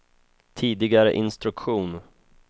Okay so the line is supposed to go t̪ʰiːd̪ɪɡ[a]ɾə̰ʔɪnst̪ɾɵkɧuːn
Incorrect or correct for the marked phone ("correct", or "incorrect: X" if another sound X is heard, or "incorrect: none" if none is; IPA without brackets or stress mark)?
correct